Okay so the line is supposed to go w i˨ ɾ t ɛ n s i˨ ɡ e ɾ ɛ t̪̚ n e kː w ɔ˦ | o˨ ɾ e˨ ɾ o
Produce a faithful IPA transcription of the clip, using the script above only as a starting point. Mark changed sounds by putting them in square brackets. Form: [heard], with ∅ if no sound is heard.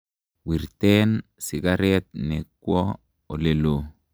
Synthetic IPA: w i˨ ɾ t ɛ n s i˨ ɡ [a] ɾ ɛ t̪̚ n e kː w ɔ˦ | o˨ [l] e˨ [l] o